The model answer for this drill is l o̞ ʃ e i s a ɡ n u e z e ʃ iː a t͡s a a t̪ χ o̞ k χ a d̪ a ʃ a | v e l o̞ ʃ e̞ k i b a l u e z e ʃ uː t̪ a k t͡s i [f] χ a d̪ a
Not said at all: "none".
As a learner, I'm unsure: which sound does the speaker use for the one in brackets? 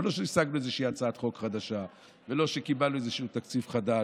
f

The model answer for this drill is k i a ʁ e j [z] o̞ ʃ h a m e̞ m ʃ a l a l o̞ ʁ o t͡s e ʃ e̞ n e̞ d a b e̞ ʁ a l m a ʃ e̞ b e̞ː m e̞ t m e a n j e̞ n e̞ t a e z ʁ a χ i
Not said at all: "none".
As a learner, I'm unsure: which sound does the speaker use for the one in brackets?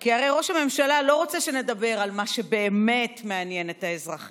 ʁ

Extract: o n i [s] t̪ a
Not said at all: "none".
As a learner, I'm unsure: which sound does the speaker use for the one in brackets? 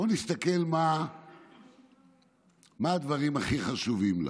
s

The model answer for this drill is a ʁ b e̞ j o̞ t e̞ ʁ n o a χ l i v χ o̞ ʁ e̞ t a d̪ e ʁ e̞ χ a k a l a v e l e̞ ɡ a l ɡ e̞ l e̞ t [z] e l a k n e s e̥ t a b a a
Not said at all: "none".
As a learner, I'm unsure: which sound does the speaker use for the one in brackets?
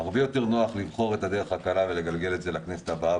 z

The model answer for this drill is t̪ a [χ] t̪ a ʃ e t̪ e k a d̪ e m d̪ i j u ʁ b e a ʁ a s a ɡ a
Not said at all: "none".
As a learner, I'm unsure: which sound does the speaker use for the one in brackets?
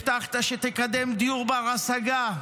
χ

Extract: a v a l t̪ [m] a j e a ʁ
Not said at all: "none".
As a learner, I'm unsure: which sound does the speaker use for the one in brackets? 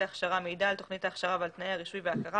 n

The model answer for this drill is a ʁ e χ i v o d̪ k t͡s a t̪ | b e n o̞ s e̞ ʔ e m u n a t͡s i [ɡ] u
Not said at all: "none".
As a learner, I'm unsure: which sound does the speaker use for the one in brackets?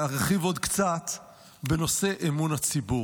b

